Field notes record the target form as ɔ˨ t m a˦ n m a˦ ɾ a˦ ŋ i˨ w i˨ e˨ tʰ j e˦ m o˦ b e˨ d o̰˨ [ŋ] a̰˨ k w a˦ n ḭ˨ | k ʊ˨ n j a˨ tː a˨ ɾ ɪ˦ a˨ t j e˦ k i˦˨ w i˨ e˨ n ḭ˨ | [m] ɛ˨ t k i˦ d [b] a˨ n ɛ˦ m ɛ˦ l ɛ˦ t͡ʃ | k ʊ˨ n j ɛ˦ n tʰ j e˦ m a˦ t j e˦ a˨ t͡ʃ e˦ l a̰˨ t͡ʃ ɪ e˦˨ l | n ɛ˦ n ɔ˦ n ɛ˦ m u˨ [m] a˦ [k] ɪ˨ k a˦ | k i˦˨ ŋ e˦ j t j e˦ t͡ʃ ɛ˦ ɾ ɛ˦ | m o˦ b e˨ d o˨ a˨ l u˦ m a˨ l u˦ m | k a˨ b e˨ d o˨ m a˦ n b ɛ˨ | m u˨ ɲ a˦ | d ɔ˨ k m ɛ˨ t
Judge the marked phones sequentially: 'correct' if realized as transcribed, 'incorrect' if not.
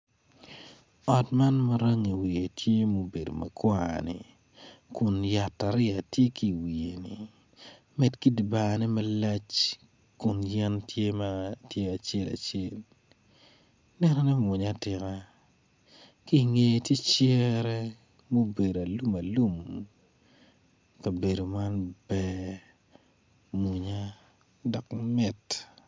incorrect: m, correct, correct, incorrect: ɲ, incorrect: t

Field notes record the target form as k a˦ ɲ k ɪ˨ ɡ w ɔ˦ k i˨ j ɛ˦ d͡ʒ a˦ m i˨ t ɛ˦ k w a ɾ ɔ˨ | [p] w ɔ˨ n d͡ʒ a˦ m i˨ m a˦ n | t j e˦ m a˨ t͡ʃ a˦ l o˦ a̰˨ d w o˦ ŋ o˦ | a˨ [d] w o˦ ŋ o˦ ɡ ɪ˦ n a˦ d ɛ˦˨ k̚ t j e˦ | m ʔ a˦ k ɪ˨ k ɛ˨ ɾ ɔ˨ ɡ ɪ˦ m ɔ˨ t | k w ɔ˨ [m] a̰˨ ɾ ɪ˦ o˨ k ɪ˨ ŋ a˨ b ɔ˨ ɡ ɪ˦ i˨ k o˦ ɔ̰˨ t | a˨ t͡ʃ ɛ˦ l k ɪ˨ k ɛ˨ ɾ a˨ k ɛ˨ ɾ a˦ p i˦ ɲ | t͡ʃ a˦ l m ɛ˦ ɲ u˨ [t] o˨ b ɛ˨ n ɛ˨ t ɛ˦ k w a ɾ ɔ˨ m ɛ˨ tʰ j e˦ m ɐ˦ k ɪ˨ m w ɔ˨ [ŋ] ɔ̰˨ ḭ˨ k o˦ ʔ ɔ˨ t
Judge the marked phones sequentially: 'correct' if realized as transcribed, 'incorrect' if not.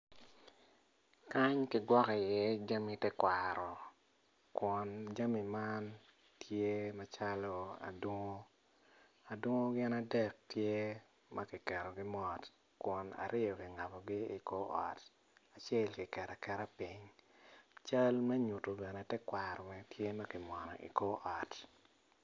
incorrect: k, correct, incorrect: n, correct, incorrect: n

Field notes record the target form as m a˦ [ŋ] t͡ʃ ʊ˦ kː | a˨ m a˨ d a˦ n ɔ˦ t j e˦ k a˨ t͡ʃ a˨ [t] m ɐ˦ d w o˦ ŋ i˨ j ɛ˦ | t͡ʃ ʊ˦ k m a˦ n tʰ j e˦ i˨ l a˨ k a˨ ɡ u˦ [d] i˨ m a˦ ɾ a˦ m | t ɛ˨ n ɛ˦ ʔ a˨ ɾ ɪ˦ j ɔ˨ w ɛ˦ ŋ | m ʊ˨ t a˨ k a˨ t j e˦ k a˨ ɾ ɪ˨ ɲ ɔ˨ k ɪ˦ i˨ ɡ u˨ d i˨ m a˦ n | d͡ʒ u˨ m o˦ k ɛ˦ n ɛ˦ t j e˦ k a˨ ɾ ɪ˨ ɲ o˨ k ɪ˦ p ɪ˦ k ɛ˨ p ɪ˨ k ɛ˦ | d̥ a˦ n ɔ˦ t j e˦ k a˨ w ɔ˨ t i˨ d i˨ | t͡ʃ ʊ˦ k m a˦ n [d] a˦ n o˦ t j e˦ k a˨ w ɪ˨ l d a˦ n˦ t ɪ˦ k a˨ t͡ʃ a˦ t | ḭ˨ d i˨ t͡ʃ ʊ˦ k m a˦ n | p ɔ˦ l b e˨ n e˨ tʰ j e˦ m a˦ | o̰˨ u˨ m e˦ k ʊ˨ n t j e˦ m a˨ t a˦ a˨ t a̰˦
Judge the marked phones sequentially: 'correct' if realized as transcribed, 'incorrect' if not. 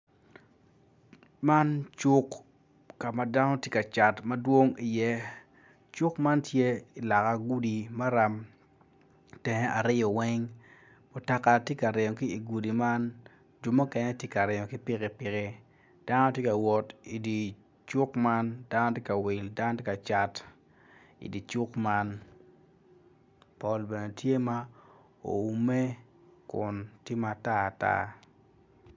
incorrect: n, correct, correct, correct

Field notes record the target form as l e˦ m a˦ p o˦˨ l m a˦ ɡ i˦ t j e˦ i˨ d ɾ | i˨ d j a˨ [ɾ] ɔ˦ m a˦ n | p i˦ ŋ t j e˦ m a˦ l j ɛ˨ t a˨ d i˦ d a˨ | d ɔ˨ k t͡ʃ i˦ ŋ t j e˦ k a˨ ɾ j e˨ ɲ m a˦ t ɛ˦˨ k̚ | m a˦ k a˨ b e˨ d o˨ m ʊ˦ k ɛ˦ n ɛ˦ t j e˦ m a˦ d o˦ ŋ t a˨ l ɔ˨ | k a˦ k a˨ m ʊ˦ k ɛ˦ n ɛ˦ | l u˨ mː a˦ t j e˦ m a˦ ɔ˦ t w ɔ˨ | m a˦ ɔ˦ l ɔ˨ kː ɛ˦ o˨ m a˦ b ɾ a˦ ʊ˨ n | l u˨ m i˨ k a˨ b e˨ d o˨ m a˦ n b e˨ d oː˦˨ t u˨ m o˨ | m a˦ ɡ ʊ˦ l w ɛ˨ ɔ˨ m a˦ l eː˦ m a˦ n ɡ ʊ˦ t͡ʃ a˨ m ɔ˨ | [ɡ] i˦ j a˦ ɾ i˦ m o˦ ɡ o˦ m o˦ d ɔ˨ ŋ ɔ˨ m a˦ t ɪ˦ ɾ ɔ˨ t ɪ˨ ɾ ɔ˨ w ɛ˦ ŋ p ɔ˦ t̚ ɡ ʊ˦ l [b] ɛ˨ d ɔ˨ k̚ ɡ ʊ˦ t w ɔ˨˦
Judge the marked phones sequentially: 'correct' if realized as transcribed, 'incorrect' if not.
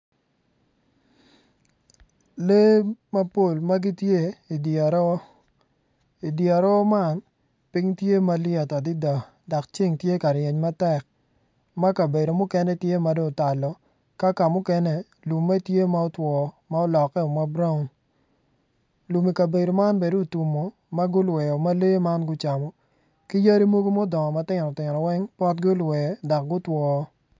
correct, incorrect: k, incorrect: w

